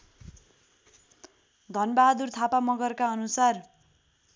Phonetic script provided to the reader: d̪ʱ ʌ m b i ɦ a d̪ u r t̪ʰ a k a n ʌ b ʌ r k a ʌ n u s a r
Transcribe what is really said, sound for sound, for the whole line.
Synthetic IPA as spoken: d̪ʱ ʌ n b a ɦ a d̪ u r t̪ʰ a p a m ʌ ɡ ʌ r k a ʌ n u s a r